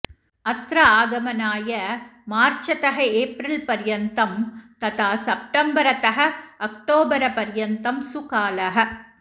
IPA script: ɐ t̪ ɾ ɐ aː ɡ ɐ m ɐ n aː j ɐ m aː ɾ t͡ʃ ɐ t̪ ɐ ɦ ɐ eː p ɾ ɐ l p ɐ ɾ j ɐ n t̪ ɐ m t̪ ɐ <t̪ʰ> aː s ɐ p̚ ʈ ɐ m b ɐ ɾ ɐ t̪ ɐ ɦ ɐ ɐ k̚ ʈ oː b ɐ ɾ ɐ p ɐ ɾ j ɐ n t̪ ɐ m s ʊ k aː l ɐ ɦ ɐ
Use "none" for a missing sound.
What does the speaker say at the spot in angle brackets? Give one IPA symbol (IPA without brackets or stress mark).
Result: t̪